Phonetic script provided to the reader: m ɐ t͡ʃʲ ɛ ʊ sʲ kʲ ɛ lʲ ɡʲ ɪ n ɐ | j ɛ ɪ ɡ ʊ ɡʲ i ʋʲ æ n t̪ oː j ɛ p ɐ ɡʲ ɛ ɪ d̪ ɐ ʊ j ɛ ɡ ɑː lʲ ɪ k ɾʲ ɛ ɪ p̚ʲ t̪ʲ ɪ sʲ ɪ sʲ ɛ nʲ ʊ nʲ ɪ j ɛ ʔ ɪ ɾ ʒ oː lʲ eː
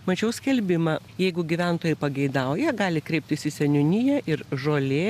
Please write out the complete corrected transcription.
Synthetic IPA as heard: m ɐ t͡ʃʲ ɛ ʊ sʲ kʲ ɛ lʲ bʲ ɪ m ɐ | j ɛ ɪ ɡ ʊ ɡʲ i ʋʲ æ n t̪ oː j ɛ p ɐ ɡʲ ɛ ɪ d̪ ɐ ʊ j ɛ ɡ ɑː lʲ ɪ k ɾʲ ɛ ɪ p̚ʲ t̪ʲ ɪ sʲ ɪ sʲ ɛ nʲ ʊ nʲ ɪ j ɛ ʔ ɪ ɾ ʒ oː lʲ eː